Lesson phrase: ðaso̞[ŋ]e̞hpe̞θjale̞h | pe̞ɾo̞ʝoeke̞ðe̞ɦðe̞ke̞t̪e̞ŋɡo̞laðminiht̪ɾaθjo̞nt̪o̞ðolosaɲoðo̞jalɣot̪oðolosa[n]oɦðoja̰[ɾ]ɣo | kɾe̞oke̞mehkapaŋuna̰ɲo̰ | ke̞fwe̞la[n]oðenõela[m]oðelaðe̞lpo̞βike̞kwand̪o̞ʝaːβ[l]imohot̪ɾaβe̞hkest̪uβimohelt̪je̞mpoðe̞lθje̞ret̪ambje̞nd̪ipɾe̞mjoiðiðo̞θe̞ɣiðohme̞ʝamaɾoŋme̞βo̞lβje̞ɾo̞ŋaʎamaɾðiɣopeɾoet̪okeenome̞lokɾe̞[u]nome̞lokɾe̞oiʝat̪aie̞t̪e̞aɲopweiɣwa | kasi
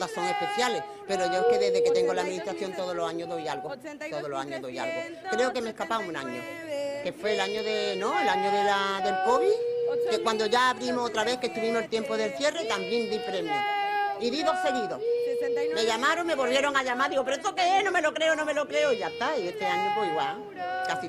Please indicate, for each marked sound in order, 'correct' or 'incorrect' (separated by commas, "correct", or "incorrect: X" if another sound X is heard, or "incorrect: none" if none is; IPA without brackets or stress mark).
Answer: correct, incorrect: ɲ, incorrect: l, incorrect: ɲ, incorrect: ɲ, incorrect: ɾ, incorrect: o